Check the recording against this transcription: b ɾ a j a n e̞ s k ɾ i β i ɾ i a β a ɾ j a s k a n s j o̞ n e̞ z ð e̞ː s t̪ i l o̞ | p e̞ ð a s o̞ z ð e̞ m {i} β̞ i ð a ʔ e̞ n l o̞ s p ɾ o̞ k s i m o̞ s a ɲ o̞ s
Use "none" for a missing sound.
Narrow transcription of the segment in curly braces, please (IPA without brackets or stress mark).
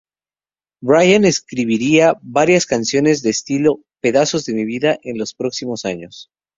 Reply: i